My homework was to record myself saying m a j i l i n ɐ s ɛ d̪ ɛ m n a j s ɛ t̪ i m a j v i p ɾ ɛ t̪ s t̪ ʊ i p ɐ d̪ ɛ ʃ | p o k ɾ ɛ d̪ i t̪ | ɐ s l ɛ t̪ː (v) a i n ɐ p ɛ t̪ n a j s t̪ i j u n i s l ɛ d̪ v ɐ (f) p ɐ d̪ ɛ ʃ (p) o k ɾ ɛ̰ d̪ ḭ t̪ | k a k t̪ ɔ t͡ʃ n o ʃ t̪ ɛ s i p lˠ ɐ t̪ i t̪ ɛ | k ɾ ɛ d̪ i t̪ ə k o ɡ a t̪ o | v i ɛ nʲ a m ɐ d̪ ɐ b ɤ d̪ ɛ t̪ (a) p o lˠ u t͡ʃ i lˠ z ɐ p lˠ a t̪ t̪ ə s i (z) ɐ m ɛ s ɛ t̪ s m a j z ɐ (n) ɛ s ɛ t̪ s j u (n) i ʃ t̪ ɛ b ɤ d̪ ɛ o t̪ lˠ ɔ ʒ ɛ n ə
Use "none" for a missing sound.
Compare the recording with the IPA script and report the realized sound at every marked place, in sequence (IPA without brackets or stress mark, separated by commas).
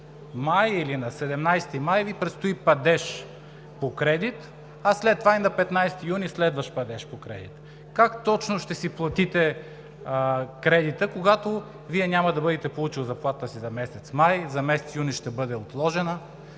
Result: v, ʃ, p, ɛ, z, m, n